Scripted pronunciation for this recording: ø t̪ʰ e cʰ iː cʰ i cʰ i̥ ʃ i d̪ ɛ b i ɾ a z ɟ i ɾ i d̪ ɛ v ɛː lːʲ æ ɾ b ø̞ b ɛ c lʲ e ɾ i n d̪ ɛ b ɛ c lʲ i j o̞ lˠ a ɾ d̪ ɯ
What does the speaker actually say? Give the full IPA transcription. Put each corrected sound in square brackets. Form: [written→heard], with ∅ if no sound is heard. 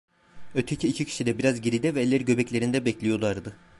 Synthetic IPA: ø t̪ʰ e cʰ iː cʰ i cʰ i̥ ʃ i d̪ ɛ b i ɾ a z ɟ i ɾ i d̪ ɛ v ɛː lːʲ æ ɾ [b→ɟ] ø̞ b ɛ c lʲ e ɾ i n d̪ ɛ b ɛ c lʲ i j o̞ lˠ a ɾ d̪ ɯ